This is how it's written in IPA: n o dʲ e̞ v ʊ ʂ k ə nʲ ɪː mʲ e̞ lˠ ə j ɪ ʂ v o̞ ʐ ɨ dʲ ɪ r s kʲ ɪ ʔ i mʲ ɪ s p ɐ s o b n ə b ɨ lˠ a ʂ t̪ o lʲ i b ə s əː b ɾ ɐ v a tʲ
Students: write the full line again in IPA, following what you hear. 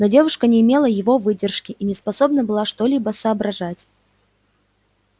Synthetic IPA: n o dʲ e̞ v ʊ ʂ k ə nʲ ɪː mʲ e̞ lˠ ə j ɪ v o̞ v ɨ dʲ ɪ r ʂ kʲ ɪ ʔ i nʲ ɪ s p ɐ s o b n ə b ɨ lˠ a ʂ t̪ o lʲ i b ə s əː b ɾ ɐ ʐ a tʲ

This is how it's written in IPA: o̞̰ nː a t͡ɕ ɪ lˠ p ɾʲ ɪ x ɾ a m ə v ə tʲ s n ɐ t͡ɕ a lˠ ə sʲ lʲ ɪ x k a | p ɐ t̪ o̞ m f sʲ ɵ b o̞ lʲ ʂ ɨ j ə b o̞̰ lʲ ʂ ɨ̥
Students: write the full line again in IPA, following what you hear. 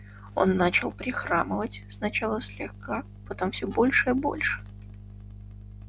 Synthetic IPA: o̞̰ nː a t͡ɕ ɪ lˠ p ɾʲ ɪ x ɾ a m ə v ə tʲ s n ɐ t͡ɕ a lˠ ə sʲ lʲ ɪ x k a | p ɐ t̪ o̞ m f sʲ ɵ b o̞ lʲ ʂ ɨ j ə b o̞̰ lʲ ʂ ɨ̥

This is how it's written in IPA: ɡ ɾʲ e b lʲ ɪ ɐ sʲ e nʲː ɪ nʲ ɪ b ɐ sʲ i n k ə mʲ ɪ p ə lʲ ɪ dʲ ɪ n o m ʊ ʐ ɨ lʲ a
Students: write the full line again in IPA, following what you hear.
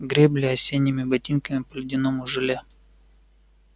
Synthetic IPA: ɡ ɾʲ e b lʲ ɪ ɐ sʲ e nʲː ɪ mʲ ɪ b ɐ tʲ i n k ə mʲ ɪ p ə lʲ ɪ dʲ ɪ n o m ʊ ʐ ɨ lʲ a

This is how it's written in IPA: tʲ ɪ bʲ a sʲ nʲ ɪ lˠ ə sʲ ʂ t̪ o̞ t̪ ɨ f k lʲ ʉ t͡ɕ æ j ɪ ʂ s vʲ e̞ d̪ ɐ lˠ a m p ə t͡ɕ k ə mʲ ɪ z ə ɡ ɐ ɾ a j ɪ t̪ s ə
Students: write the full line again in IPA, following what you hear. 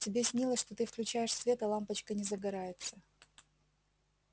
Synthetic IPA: tʲ ɪ bʲ e sʲ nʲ i lˠ ə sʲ ʂ t̪ o̞ t̪ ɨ f k lʲ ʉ t͡ɕ æ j ɪ ʂ s vʲ e̞ t̪ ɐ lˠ a m p ə t͡ɕ k ə nʲ ɪ z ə ɡ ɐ ɾ a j ɪ t̪ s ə

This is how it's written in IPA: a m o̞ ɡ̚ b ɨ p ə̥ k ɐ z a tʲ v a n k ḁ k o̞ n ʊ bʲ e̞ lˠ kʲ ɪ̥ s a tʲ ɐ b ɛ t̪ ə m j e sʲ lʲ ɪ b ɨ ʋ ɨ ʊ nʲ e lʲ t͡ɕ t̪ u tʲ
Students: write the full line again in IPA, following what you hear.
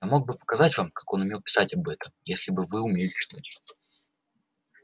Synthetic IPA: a m o̞ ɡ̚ b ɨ p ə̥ k ɐ z a tʲ v a m k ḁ k o̞ n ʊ mʲ e̞ lˠ pʲ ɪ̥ s a tʲ ɐ b ɛ t̪ ə m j e sʲ lʲ ɪ b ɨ v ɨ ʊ mʲ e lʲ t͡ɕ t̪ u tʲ

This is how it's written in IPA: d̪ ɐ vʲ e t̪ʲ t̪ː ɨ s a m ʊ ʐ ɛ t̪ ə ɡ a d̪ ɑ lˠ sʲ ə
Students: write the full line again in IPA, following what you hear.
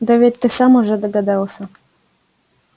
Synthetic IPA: d̪ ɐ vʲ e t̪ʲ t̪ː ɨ s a m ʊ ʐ ɛ d̪ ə ɡ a d̪ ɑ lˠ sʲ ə

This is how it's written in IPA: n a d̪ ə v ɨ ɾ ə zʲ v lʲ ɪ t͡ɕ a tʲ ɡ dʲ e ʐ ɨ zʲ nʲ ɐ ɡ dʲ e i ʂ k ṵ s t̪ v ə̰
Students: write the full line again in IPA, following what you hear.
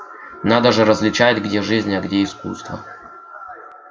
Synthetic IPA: n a d̪ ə ʐ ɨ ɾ ə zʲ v lʲ ɪ t͡ɕ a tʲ ɡ dʲ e ʐ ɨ zʲ nʲ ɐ ɡ dʲ e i s k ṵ s t̪ v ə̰

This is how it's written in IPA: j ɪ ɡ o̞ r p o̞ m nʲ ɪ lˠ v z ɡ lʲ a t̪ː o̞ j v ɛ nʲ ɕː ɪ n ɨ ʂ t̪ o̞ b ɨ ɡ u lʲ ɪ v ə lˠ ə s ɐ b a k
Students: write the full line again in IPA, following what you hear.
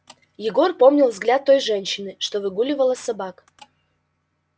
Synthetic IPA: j ɪ ɡ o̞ r p o̞ m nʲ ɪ lˠ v z ɡ lʲ a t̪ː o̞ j ʐ ɛ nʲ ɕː ɪ n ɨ ʂ t̪ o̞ v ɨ ɡ u lʲ ɪ v ə lˠ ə s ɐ b a k

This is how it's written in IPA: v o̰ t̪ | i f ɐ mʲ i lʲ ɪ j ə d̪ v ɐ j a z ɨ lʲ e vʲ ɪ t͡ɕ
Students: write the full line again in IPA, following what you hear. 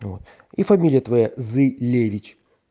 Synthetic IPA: v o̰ t̪ | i f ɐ mʲ i lʲ ɪ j ə t̪ v ɐ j a z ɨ lʲ e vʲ ɪ t͡ɕ

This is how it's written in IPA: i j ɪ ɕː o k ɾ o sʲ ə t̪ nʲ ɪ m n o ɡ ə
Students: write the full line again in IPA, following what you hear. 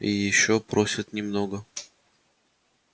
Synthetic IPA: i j ɪ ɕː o p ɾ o sʲ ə t̪ nʲ ɪ m n o ɡ ə

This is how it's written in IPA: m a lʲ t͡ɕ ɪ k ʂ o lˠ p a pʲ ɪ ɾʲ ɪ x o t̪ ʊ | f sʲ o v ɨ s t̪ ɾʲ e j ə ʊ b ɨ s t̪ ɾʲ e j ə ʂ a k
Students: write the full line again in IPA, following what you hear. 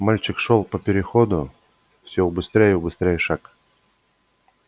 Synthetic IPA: m a lʲ t͡ɕ ɪ k ʂ o lˠ p ə pʲ ɪ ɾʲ ɪ x o d̪ ʊ | f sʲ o b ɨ s t̪ ɾʲ e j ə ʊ b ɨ s t̪ ɾʲ e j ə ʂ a k

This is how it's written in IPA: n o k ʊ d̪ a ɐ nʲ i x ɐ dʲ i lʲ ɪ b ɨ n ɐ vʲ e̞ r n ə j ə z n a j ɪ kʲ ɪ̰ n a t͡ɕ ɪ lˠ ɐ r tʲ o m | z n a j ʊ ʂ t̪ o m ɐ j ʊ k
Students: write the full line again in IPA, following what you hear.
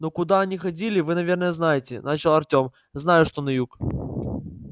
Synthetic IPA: n o k ʊ d̪ a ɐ nʲ i x ɐ dʲ i lʲ ɪ v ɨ n ɐ vʲ e̞ r n ə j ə z n a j ɪ tʲ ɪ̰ n a t͡ɕ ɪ lˠ ɐ r tʲ o m | z n a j ʊ ʂ t̪ o n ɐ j u k

